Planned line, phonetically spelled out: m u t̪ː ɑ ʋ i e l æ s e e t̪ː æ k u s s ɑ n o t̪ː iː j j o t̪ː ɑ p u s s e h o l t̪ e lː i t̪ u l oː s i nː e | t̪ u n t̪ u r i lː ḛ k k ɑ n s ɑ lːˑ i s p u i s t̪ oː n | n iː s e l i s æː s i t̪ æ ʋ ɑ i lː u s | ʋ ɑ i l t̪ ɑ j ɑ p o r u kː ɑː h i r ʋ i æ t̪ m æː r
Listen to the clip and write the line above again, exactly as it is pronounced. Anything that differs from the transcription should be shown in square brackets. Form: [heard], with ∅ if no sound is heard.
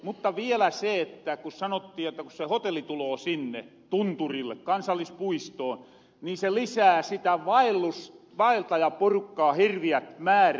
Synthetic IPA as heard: m u t̪ː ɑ ʋ i e l æ s e e t̪ː æ k u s s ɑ n o t̪ː iː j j o t̪ː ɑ [k] u s s e h o [∅] t̪ e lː i t̪ u l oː s i nː e | t̪ u n t̪ u r i lː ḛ k k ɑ n s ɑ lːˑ i s p u i s t̪ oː n | n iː s e l i s æː s i t̪ æ ʋ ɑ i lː u s | ʋ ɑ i l t̪ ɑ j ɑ p o r u kː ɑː h i r ʋ i æ t̪ m æː r